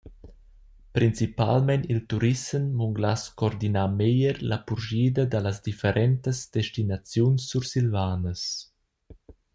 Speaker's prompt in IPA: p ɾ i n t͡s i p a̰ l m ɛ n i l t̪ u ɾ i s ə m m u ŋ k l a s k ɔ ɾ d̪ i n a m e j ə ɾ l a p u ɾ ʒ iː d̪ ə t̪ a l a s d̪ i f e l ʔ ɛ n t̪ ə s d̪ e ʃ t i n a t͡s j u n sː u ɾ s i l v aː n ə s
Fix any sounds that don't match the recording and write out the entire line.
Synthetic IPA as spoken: p ɾ i n t͡s i p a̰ l m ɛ n i l t̪ u ɾ i s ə m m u ŋ ɡ l a s k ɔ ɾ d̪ i n a m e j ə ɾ l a p u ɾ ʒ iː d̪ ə d̪ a l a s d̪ i f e ɾ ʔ ɛ n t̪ ə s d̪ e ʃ t i n a t͡s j u n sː u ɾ s i l v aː n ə s